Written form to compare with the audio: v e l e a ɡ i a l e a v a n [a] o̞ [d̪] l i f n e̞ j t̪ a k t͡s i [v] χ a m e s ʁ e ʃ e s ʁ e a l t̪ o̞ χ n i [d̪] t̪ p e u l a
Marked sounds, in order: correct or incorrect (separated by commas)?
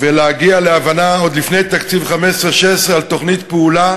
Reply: correct, correct, correct, incorrect